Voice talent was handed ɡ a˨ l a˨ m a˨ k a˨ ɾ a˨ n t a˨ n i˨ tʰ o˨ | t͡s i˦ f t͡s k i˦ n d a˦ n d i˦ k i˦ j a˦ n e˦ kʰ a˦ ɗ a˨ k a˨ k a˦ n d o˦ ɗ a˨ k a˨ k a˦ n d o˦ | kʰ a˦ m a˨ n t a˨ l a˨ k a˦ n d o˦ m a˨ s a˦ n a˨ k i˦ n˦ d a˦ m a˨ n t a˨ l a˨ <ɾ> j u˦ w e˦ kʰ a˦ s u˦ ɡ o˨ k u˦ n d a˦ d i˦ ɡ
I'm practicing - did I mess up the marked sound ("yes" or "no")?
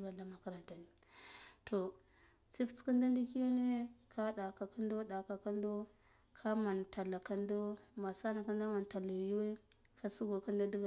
yes